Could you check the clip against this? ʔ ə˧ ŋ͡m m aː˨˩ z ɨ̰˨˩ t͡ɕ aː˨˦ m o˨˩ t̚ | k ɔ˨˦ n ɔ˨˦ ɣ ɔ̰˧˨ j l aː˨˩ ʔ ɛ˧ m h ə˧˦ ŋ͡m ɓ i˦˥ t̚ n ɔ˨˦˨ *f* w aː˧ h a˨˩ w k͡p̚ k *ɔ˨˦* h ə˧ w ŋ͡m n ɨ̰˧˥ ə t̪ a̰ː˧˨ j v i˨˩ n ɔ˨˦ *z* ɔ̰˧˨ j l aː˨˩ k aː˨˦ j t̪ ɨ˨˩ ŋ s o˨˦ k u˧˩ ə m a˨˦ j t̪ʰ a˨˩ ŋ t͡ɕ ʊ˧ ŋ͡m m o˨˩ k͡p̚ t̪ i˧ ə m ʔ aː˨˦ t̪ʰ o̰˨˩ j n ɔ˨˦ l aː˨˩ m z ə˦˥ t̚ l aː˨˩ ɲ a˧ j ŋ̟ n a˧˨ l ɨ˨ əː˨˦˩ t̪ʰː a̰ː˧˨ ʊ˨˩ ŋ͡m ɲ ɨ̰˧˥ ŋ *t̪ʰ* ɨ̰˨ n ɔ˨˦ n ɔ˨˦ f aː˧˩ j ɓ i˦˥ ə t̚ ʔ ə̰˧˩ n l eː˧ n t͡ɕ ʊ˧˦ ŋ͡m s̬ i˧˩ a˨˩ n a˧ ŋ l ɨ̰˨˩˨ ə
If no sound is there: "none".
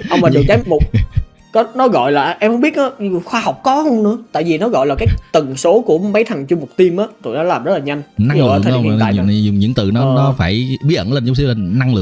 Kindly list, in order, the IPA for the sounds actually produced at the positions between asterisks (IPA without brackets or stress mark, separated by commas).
x, ɔ˨˦, ɣ, t̪